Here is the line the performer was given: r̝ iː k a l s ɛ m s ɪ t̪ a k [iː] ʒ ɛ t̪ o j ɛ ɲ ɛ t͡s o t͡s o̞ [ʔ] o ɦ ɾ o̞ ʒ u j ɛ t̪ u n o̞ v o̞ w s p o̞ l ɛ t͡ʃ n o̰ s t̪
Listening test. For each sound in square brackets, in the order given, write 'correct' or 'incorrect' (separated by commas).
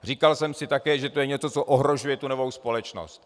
incorrect, correct